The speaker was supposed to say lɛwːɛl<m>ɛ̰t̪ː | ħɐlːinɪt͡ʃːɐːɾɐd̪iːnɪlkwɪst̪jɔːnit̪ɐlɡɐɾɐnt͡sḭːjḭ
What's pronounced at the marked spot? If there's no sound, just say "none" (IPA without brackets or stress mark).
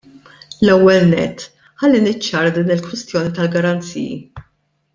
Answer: n